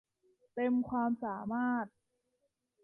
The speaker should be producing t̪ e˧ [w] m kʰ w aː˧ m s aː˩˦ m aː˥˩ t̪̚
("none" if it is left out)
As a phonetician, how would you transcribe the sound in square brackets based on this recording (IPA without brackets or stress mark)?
none